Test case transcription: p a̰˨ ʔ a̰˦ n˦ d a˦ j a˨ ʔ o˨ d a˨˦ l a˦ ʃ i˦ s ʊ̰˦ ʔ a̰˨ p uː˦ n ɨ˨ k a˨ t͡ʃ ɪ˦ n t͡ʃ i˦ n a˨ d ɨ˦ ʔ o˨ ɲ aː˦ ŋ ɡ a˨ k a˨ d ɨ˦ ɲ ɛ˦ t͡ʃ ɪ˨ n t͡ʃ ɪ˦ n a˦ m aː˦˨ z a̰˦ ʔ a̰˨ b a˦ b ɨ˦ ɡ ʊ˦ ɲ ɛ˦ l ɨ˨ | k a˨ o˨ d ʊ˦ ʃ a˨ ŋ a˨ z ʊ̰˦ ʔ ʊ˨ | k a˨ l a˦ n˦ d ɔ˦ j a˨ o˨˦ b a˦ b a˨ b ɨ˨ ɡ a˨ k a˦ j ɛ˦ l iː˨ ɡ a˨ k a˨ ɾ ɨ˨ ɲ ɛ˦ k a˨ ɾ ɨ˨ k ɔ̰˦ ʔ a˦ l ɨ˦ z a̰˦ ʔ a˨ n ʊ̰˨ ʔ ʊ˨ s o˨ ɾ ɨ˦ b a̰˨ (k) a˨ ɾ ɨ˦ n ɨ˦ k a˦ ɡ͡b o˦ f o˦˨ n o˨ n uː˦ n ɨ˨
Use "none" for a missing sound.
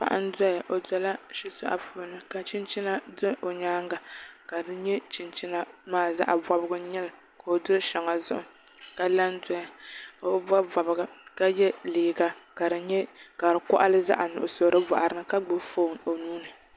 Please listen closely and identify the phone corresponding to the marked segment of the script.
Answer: ʔ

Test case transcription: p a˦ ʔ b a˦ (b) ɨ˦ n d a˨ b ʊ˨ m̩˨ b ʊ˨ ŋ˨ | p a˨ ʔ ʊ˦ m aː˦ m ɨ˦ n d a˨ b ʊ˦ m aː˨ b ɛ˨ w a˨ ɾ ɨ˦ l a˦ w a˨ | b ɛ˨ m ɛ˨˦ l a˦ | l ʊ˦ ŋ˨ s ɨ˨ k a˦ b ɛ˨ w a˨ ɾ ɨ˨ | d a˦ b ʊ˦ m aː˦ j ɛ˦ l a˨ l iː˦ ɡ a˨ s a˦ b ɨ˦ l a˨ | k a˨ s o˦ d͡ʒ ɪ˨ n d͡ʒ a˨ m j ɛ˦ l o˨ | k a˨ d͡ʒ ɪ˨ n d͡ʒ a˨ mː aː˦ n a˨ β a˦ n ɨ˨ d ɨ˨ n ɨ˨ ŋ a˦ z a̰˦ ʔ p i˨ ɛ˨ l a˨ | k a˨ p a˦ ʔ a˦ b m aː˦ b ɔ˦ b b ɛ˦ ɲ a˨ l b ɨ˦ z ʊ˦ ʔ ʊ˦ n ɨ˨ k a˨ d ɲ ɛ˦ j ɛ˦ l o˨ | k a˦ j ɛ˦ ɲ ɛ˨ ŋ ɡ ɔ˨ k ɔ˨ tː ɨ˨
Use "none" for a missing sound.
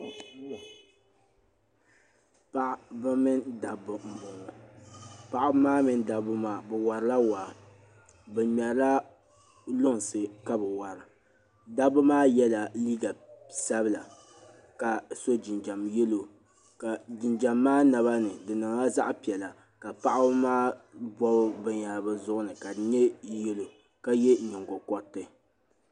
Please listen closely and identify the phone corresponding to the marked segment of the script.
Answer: m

